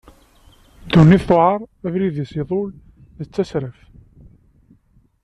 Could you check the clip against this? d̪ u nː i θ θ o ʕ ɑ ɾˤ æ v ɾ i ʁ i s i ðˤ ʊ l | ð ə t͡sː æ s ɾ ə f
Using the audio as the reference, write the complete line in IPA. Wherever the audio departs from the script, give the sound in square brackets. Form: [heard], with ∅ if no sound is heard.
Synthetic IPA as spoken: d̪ u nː i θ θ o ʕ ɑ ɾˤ æ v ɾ i [ð] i s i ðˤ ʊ l | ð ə t͡sː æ s ɾ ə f